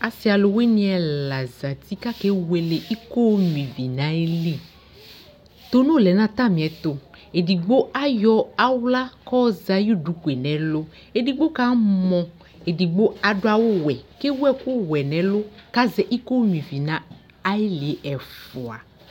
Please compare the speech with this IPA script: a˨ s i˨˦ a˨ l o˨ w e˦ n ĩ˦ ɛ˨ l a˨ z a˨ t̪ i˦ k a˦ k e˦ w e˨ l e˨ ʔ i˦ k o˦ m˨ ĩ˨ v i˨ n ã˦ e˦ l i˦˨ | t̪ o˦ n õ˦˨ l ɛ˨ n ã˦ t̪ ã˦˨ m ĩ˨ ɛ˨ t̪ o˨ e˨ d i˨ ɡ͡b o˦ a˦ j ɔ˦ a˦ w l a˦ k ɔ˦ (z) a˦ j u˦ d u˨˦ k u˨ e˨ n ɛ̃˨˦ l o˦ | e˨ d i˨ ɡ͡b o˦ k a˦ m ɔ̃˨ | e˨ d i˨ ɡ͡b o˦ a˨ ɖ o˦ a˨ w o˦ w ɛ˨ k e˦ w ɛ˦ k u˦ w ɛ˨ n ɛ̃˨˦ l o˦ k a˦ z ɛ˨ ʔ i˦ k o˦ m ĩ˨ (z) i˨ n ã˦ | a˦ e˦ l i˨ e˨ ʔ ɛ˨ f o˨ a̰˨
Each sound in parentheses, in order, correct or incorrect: correct, incorrect: v

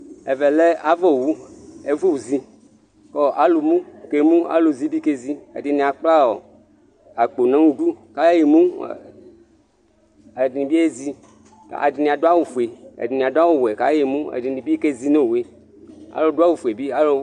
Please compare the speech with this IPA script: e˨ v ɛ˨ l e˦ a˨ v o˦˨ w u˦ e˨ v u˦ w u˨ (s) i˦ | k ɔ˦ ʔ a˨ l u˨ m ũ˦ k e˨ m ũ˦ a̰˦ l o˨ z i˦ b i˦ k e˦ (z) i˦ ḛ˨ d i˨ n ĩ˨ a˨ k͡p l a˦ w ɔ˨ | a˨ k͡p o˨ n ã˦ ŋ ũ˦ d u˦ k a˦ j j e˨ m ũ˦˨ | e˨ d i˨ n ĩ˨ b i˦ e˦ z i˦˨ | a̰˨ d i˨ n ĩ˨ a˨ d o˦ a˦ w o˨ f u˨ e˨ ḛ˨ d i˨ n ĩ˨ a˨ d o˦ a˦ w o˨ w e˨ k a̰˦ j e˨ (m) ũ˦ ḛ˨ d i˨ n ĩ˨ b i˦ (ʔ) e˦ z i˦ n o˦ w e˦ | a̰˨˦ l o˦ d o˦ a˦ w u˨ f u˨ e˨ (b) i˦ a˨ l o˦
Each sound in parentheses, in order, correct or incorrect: incorrect: z, correct, correct, incorrect: k, correct

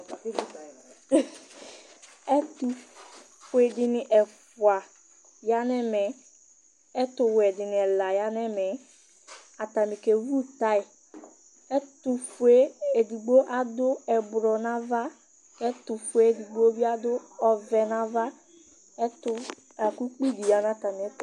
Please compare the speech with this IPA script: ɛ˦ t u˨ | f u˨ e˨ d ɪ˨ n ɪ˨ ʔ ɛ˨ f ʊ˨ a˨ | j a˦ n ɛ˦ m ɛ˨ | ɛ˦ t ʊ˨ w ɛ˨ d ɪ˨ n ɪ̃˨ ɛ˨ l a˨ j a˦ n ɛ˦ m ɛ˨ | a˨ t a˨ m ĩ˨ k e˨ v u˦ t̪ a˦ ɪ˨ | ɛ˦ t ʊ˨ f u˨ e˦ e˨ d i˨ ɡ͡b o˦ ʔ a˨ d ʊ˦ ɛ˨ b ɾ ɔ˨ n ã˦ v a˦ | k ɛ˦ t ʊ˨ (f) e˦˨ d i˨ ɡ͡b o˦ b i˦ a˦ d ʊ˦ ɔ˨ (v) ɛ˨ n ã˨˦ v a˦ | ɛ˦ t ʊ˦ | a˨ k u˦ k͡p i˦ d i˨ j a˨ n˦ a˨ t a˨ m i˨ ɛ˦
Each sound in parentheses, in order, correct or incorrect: correct, correct

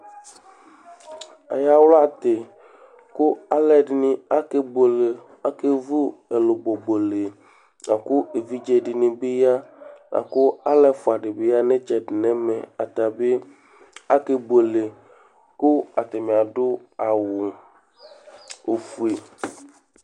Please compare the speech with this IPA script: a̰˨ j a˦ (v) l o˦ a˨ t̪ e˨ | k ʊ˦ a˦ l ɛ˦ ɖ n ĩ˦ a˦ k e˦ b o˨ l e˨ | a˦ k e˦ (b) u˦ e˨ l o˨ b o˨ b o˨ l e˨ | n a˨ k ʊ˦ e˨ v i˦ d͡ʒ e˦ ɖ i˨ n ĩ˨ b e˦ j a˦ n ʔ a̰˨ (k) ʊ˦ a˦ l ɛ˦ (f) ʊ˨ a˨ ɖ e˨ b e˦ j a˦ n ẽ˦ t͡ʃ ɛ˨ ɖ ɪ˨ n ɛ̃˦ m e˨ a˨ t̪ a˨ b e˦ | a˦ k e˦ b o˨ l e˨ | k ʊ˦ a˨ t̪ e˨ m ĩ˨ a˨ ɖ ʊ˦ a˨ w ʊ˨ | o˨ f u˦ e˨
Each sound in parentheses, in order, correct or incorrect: incorrect: w, incorrect: v, correct, correct

